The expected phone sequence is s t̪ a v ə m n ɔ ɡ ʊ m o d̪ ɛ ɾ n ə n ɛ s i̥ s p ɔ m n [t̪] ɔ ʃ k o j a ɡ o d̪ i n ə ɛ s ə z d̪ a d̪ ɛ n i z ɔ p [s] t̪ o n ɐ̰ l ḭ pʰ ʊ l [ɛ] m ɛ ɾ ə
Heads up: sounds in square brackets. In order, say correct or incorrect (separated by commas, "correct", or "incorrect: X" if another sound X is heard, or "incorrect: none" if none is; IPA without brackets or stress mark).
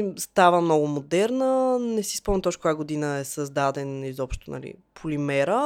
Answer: correct, incorrect: ʃ, incorrect: i